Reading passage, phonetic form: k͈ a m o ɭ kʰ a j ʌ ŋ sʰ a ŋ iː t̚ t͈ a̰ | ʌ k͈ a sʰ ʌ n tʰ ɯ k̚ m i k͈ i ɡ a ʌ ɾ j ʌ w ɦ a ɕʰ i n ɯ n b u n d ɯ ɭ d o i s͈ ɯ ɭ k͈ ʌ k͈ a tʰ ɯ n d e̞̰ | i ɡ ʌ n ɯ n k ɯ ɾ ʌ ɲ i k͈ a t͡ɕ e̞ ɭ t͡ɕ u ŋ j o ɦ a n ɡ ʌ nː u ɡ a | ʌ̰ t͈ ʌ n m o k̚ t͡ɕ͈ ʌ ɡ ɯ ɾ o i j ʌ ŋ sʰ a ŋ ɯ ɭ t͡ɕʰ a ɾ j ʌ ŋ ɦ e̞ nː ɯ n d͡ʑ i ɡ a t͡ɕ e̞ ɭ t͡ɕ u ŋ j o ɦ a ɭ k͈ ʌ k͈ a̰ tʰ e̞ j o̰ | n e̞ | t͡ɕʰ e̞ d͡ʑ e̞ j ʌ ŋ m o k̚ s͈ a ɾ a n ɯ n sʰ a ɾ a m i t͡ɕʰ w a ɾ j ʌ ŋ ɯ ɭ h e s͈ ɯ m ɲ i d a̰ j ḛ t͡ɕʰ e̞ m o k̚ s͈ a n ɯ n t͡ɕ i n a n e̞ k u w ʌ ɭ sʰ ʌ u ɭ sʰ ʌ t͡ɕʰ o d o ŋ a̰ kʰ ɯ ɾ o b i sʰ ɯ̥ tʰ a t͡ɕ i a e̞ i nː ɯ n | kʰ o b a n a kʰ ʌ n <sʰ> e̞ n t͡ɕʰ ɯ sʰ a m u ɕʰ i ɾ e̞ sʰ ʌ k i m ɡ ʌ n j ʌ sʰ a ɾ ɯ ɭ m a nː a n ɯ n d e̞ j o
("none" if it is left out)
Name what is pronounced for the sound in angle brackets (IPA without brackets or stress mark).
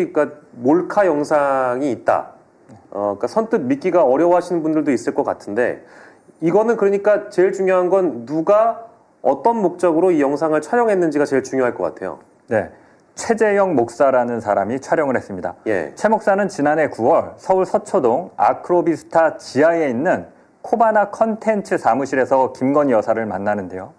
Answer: tʰ